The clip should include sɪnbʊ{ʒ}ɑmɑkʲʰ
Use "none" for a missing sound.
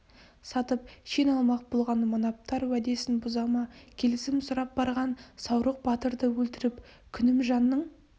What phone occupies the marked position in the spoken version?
z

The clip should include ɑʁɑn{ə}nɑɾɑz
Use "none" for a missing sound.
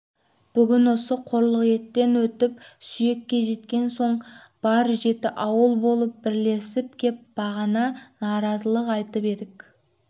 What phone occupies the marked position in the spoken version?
ɑ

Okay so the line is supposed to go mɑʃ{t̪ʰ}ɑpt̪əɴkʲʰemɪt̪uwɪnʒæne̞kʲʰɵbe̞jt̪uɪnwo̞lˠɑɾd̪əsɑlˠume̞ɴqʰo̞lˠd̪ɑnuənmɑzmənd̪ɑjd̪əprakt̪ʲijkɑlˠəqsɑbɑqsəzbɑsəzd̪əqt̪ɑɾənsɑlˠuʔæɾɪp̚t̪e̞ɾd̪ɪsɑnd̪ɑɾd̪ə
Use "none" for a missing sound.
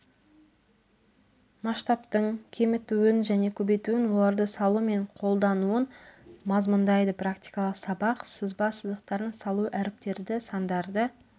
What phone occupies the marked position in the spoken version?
t̪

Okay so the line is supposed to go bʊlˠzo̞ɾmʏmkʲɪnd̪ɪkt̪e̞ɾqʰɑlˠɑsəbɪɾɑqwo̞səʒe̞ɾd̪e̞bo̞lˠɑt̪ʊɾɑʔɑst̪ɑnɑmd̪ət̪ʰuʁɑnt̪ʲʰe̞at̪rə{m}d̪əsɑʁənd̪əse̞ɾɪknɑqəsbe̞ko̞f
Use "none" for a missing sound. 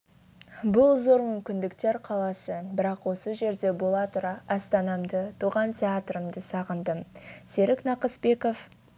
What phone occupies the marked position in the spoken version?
m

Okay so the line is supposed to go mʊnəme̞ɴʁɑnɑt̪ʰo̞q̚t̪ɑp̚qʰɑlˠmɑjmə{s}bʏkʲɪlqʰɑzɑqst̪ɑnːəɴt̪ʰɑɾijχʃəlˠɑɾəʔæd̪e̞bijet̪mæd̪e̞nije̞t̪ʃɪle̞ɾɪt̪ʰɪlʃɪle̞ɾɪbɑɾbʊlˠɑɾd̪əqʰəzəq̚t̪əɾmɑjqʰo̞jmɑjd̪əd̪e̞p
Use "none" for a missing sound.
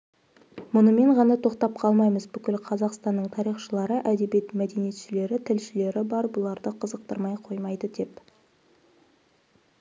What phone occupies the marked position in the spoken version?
z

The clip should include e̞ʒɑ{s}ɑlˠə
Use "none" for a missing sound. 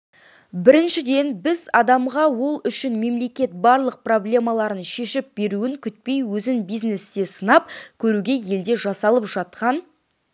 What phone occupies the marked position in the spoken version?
s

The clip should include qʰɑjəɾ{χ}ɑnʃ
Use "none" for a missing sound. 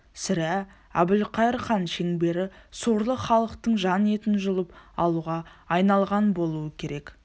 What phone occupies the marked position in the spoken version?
χ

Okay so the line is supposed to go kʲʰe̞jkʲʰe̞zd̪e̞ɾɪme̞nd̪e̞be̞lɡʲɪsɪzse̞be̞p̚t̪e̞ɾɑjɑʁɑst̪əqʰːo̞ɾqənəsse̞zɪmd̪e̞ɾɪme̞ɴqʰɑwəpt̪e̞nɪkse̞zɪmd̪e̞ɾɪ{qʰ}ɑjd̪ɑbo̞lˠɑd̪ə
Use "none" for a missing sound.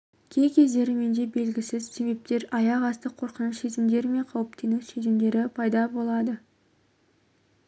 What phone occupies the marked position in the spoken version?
pʰ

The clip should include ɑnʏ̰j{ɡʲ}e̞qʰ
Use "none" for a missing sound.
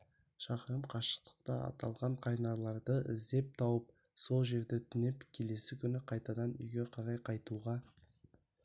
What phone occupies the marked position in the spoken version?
ɡʲ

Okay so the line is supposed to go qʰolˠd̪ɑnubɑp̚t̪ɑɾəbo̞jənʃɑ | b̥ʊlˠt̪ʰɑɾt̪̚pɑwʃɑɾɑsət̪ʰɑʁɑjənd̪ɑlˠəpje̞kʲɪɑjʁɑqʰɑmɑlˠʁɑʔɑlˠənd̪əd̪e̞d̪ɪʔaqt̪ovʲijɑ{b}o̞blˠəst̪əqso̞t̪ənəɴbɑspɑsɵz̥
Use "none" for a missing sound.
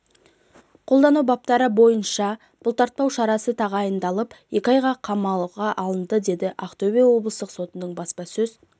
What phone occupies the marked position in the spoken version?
w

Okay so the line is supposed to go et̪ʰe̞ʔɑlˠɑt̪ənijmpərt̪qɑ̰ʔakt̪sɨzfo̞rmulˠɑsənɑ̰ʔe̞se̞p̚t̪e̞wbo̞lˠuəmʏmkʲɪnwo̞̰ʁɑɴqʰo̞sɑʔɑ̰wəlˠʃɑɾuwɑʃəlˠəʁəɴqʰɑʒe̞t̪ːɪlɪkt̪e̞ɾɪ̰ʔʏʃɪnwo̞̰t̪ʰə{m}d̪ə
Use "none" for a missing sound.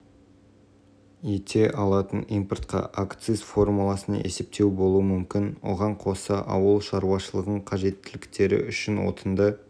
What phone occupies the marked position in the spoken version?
n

